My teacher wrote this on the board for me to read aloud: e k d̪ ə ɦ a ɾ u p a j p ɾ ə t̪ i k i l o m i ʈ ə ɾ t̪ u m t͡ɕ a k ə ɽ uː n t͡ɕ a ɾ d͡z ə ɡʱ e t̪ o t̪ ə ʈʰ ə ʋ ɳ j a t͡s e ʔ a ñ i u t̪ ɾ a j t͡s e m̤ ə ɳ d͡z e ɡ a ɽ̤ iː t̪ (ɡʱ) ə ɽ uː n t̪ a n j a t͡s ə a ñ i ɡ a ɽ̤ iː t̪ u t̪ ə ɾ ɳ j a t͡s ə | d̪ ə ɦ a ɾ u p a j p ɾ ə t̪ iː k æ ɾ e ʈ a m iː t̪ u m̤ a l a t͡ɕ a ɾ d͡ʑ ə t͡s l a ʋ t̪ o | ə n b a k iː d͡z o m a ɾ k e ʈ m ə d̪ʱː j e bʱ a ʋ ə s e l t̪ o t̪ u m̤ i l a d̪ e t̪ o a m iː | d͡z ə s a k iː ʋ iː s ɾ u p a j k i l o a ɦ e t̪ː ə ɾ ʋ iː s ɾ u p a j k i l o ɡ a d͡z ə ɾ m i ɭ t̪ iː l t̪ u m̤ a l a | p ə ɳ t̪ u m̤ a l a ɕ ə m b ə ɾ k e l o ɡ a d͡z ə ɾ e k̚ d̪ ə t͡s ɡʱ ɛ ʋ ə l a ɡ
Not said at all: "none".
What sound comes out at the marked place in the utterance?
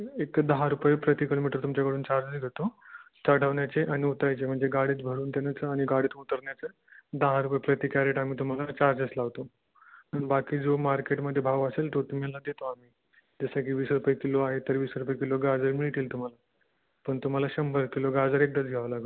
bʱ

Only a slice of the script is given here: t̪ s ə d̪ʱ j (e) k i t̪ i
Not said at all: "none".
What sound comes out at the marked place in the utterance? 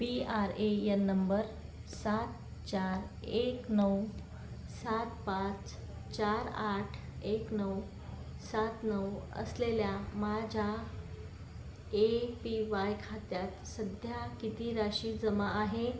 a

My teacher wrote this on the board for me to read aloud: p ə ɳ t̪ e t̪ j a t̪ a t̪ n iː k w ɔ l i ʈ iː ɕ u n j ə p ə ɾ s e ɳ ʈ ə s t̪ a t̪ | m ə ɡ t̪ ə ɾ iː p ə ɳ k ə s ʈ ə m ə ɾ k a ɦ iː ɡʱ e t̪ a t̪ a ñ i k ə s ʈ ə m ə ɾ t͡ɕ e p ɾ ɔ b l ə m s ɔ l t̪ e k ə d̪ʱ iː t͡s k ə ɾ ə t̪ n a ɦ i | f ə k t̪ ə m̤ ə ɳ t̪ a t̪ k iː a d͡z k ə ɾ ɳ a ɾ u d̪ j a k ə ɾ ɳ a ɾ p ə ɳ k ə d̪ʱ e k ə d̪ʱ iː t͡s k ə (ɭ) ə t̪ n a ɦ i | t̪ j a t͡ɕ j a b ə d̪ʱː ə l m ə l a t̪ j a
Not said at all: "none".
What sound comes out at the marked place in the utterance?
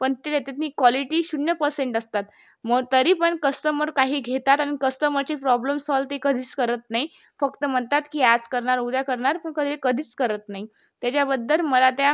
ɾ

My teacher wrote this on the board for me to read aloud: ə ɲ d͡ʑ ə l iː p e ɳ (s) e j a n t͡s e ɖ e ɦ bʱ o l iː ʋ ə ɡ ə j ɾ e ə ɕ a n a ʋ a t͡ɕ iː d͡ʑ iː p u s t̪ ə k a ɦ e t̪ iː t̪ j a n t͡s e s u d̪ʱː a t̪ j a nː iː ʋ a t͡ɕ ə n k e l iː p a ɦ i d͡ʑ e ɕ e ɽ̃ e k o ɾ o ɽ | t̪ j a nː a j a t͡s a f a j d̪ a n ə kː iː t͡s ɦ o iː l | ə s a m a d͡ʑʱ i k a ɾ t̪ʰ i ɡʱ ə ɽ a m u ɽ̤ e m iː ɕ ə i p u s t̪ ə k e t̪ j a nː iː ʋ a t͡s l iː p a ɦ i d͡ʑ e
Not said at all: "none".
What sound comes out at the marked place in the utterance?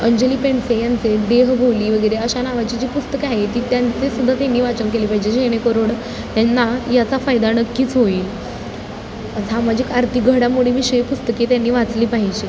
s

